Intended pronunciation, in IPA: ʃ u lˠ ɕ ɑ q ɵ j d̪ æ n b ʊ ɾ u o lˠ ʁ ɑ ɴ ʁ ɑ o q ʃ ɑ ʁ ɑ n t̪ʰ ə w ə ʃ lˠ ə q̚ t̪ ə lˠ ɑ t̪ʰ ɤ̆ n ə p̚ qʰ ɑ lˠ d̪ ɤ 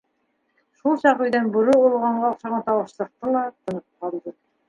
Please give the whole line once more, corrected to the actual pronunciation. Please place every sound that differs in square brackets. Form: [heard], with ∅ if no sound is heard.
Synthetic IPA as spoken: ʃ u lˠ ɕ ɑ q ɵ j d̪ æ n b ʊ ɾ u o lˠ ʁ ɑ ɴ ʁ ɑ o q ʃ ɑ ʁ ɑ n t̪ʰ [ɑ] w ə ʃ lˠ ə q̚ t̪ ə lˠ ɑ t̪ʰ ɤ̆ n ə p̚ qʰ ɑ lˠ d̪ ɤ